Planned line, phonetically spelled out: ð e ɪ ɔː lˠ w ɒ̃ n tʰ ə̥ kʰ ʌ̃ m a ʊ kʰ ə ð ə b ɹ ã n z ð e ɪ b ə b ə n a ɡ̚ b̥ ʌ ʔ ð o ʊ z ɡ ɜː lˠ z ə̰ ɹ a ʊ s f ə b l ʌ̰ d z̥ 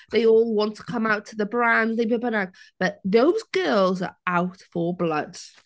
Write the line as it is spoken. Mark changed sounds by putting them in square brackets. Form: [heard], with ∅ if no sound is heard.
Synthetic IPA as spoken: ð e ɪ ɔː lˠ w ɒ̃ n tʰ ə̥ kʰ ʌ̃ m a ʊ [tʰ] ə ð ə b ɹ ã n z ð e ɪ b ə b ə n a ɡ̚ b̥ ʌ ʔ ð o ʊ z ɡ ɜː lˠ z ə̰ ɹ a ʊ [t] f ə b l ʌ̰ d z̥